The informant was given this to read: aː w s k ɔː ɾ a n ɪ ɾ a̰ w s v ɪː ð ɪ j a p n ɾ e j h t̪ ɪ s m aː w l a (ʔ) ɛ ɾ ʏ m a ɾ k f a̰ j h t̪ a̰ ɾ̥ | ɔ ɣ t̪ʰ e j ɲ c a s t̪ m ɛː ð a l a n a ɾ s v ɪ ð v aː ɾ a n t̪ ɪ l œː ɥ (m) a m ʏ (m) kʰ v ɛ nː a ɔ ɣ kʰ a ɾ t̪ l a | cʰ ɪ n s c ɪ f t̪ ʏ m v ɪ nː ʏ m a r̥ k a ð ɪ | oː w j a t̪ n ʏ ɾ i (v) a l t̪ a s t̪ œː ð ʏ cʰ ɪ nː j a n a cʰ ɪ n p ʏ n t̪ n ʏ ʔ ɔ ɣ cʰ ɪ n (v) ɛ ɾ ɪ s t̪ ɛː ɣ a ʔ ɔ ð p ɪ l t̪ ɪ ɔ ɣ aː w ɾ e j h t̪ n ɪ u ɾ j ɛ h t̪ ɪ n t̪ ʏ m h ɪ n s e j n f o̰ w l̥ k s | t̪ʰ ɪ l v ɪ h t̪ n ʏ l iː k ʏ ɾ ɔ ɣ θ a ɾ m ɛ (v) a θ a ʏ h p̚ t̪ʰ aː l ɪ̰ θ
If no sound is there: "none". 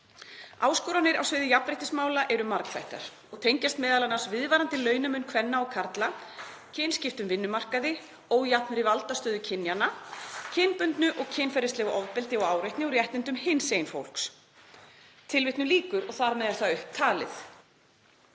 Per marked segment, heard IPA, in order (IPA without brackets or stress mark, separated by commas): ʔ, n, n, v, f, ð